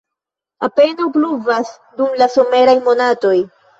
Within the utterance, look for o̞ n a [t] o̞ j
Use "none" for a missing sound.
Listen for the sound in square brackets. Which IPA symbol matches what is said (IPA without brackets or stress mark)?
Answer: t